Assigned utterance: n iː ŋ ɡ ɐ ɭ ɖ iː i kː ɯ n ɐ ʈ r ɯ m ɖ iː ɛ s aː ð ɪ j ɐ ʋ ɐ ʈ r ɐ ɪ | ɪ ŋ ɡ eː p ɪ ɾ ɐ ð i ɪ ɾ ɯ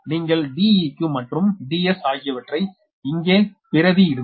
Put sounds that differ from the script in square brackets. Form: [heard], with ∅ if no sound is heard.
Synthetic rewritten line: n iː ŋ ɡ ɐ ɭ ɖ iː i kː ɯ [m] ɐ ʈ r ɯ m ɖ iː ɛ s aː [ɣ] ɪ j ɐ ʋ ɐ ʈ r ɐ ɪ | ɪ ŋ ɡ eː p ɪ ɾ ɐ ð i ɪ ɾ ɯ